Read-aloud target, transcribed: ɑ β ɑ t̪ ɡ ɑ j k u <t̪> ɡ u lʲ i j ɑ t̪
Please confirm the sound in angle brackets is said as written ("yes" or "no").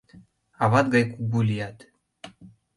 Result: no